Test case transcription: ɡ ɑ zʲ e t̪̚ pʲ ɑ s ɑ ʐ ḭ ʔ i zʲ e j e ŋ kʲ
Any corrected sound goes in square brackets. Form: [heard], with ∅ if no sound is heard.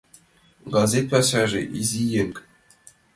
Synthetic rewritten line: ɡ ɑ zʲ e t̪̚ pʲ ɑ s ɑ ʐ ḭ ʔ i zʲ [i] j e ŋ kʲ